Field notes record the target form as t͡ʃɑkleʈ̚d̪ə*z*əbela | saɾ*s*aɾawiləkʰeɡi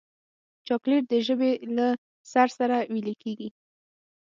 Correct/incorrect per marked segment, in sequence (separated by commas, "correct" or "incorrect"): incorrect, correct